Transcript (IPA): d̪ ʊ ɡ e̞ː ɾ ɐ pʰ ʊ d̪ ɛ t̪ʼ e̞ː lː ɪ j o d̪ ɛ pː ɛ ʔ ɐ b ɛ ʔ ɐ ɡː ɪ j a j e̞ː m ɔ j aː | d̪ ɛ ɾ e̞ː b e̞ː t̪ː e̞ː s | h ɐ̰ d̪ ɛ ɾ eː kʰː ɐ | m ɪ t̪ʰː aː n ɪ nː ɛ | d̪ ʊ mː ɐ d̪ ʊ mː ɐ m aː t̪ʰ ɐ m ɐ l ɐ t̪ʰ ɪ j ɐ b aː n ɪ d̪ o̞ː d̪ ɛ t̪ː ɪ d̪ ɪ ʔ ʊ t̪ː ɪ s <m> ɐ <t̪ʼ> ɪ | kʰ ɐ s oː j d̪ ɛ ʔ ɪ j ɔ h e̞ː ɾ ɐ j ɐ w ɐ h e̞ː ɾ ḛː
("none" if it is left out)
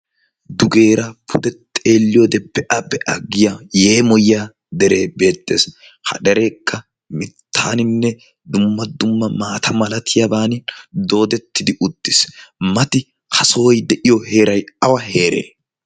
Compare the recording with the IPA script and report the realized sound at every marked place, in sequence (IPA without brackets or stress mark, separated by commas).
m, t̪